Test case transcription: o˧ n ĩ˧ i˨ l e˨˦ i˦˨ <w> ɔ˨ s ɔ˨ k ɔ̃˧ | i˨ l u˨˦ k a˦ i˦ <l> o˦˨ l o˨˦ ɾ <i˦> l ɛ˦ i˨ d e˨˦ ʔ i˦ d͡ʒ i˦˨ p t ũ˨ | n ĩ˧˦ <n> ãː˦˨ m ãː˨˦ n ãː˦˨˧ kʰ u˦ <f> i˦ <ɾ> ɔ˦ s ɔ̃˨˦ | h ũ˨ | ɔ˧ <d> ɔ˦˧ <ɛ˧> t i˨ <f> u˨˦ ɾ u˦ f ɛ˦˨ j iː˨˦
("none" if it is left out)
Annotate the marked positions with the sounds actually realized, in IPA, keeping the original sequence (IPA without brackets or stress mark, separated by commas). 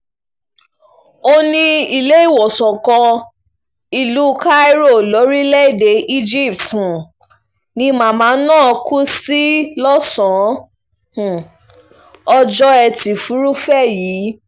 w, ɾ, i˦, m, s, l, d͡ʒ, ɛ˧, f